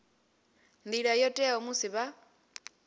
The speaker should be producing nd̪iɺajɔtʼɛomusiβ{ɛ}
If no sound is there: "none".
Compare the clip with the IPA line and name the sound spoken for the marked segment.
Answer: a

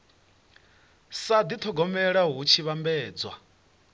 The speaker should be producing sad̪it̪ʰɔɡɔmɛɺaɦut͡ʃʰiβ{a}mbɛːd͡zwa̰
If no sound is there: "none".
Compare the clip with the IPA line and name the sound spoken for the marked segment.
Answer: a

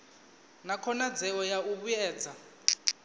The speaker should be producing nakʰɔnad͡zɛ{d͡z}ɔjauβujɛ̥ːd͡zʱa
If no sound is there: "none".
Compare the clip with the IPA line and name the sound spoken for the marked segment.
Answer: none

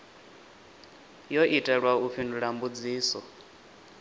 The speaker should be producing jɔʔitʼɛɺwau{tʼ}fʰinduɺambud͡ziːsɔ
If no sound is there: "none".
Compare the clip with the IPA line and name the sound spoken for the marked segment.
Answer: none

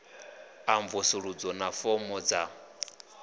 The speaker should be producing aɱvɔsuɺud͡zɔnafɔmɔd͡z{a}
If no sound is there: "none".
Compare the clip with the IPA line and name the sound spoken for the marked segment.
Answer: a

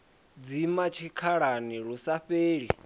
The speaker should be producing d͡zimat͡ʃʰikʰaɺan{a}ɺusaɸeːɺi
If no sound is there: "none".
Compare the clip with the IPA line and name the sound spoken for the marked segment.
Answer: i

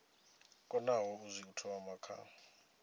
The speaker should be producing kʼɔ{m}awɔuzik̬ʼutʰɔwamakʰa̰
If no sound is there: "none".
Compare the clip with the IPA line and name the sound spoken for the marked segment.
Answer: n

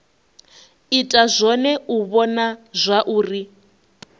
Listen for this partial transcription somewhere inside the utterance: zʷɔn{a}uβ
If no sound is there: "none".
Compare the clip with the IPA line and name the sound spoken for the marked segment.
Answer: ɛ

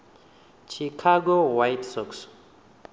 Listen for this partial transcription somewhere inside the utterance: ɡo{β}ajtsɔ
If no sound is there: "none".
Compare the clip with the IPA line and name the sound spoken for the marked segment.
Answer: w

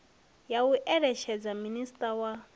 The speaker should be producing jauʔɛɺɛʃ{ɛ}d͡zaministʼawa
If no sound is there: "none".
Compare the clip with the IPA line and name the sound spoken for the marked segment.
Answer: ɛ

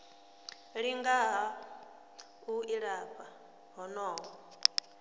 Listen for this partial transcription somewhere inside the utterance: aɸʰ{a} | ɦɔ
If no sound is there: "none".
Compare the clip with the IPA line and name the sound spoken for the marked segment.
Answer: a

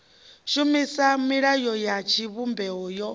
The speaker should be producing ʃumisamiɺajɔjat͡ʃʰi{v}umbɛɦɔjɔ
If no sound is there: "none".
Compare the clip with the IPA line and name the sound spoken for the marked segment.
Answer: β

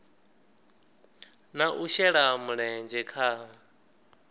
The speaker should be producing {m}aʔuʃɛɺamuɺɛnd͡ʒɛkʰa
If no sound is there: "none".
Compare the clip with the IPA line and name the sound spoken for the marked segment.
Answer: n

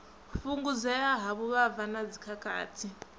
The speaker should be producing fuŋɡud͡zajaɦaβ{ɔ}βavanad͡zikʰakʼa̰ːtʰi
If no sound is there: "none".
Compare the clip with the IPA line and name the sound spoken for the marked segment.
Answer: u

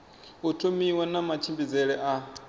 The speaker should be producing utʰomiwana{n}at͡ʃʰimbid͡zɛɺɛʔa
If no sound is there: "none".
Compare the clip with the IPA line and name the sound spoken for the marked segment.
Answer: m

